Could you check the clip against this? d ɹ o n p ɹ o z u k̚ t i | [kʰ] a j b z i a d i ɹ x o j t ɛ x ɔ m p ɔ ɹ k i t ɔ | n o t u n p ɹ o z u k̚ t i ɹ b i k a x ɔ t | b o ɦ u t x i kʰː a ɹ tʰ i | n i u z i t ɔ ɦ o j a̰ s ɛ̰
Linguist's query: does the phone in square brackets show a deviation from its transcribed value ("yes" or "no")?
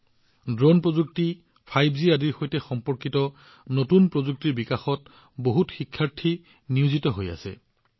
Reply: yes